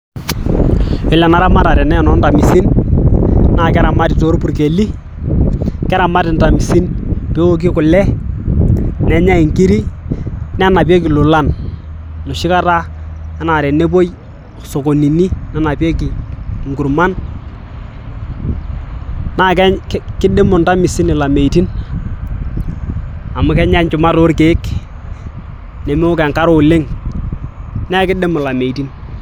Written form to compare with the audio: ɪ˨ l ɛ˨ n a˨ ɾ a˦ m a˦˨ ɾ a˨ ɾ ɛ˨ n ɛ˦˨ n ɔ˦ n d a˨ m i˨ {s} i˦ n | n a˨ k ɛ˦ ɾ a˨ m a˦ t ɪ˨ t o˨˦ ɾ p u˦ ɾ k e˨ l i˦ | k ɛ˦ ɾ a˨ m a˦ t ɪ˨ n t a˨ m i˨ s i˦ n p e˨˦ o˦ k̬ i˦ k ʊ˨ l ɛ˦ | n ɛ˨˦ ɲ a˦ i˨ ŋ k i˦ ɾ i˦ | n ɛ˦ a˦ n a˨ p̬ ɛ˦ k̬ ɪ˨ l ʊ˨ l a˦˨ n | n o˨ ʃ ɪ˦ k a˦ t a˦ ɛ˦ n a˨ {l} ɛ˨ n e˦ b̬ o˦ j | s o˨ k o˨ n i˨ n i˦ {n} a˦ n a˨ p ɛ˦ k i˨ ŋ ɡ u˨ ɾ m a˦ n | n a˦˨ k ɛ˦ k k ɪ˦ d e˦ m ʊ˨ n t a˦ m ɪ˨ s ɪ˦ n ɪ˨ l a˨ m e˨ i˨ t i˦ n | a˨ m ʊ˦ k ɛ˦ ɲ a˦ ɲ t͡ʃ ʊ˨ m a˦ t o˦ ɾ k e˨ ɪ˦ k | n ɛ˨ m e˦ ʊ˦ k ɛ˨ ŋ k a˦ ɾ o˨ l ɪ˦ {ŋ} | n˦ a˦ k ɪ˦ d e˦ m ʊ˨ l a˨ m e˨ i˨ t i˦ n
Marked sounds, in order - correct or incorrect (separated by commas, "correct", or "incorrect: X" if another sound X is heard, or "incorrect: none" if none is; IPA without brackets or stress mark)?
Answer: correct, incorrect: ɾ, correct, correct